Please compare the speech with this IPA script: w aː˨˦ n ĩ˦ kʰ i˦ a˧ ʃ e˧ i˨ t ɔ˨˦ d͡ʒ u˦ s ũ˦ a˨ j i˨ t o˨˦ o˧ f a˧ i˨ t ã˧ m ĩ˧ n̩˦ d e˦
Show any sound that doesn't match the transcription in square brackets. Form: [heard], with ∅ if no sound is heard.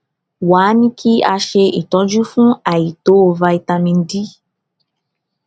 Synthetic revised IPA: w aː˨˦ n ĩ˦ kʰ i˦ a˧ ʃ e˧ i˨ t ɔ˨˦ d͡ʒ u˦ [f] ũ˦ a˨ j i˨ t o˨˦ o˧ [v] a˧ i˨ t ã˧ m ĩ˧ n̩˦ d [i˦]